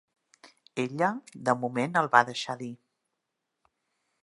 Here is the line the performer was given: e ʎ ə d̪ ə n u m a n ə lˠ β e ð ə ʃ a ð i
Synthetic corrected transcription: e ʎ ə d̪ ə m u m e n ə lˠ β a ð ə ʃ a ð i